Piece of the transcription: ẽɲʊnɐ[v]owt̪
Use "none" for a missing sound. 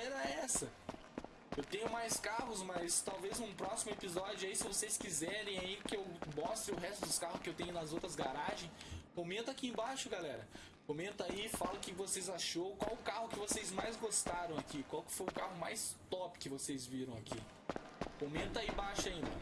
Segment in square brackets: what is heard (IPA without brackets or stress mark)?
z